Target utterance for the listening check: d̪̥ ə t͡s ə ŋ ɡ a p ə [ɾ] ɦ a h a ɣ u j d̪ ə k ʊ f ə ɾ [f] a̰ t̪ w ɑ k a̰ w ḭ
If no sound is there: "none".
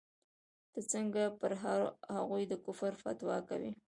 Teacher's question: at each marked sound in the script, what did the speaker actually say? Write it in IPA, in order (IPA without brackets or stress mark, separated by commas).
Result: ɾ, f